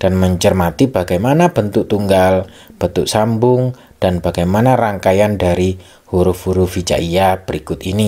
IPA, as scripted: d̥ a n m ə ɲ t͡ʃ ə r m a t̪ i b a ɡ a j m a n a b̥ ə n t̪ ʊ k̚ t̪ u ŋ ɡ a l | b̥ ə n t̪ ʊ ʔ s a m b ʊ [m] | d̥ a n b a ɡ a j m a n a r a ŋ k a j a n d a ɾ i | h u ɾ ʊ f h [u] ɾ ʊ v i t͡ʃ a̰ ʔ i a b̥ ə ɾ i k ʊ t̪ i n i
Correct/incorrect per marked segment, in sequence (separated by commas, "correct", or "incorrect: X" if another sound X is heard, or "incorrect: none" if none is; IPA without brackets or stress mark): incorrect: ŋ, correct